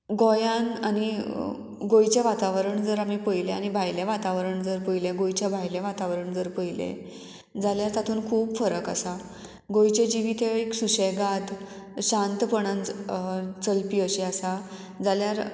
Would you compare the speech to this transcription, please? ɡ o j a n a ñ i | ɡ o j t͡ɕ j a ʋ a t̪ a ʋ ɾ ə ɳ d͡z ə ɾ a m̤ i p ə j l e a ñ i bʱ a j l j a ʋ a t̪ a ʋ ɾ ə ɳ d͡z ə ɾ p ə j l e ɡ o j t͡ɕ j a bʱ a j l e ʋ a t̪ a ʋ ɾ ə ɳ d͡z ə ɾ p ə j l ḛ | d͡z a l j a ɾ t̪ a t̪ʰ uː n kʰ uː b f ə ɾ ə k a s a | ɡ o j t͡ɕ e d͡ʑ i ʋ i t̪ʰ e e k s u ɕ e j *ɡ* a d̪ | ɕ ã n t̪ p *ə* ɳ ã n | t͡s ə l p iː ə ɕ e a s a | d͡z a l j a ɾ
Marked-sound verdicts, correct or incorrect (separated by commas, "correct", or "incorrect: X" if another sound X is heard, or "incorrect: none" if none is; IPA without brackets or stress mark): correct, correct